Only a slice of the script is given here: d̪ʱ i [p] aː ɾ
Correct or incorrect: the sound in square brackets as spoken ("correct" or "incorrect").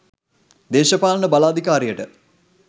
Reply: incorrect